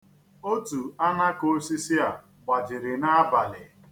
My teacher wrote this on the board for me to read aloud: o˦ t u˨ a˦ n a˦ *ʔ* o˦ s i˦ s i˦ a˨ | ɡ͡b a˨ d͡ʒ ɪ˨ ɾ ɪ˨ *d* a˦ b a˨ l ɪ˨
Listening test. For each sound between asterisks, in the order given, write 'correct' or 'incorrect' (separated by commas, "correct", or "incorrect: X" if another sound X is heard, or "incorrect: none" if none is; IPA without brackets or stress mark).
incorrect: k, incorrect: n